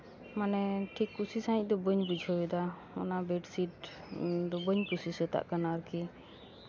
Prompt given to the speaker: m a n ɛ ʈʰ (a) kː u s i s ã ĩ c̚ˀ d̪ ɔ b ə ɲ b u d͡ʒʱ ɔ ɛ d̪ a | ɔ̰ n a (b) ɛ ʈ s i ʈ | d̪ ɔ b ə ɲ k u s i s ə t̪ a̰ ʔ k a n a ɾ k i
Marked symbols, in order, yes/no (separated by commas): no, yes